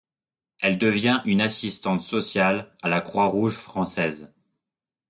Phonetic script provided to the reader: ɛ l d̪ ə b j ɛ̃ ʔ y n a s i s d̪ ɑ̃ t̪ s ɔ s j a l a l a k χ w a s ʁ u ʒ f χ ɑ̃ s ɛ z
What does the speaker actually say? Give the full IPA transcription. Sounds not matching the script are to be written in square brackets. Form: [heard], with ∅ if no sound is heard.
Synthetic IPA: ɛ l d̪ ə [v] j ɛ̃ ʔ y n a s i s [t̪] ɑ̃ t̪ s ɔ s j a l a l a k χ w a [∅] ʁ u ʒ f χ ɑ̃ s ɛ z